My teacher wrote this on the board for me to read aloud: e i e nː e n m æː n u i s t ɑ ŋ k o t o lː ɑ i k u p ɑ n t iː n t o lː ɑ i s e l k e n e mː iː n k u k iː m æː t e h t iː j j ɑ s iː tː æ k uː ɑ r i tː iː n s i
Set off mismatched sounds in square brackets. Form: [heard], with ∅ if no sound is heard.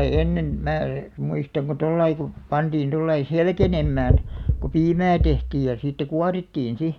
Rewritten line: e i e nː e n m æː [m] u i s t ɑ ŋ k o t o lː ɑ i k u p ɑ n t iː n t o lː ɑ i s e l k e n e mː [æː] n k u [p] iː m æː t e h t iː j j ɑ s iː tː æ k [u] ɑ r i tː iː n s i